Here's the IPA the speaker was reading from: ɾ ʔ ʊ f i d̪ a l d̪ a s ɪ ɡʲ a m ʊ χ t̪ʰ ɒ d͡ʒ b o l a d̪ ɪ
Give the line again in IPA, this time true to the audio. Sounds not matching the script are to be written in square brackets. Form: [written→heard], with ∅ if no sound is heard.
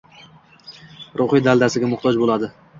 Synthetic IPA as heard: ɾ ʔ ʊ [f→χ] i d̪ a l d̪ a s ɪ ɡʲ a m ʊ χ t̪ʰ ɒ d͡ʒ b o l a d̪ ɪ